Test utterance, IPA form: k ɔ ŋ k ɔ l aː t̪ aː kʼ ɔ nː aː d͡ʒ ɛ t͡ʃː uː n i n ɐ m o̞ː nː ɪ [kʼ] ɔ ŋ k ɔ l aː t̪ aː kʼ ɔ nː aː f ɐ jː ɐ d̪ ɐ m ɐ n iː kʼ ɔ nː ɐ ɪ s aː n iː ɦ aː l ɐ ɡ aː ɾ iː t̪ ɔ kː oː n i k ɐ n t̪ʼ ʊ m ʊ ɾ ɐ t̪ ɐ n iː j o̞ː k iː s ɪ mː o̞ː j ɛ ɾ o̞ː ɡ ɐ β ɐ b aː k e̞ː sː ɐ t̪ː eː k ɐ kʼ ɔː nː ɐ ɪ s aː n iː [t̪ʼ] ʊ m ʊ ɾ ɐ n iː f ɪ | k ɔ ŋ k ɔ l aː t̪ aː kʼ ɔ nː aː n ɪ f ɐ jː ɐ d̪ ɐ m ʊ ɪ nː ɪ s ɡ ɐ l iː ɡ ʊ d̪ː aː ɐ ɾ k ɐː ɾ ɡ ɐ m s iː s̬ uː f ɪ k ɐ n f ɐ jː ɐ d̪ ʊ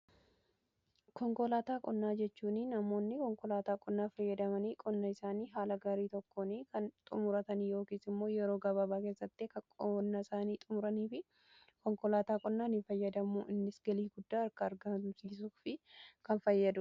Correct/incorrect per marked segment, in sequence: incorrect: k, correct

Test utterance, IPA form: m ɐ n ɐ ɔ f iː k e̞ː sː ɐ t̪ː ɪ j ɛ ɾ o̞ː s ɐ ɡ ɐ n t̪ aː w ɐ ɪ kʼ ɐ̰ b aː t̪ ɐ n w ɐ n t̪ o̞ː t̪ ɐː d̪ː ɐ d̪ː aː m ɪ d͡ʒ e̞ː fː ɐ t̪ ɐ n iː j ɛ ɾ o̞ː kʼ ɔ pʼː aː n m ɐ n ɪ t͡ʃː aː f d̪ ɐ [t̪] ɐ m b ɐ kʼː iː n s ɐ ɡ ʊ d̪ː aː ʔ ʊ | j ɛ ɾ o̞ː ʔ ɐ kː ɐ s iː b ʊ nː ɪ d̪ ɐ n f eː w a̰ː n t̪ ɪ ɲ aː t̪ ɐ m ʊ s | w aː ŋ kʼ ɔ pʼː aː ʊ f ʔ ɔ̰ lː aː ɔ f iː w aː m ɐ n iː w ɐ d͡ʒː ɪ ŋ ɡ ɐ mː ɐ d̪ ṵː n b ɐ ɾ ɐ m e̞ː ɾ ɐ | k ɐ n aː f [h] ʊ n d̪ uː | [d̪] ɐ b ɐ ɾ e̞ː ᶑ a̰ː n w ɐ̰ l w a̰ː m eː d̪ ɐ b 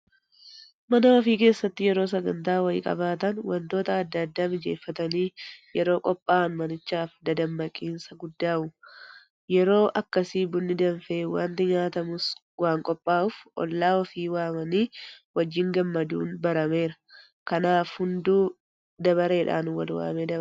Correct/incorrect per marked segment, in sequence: incorrect: d̪, correct, correct

